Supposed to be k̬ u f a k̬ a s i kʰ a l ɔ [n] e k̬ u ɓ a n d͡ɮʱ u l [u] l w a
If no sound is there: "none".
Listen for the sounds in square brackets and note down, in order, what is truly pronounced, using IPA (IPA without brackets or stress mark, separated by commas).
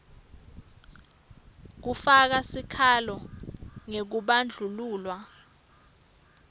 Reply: ŋ, uː